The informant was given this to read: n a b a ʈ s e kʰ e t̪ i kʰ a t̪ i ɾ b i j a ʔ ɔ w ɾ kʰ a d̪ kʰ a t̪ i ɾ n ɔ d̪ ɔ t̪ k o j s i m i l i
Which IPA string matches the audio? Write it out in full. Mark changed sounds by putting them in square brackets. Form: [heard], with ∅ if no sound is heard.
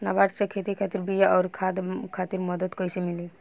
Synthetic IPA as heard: n a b a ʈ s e kʰ e t̪ i kʰ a t̪ i ɾ b i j a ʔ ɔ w ɾ kʰ a d̪ kʰ a t̪ i ɾ [m] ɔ d̪ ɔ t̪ k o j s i m i l i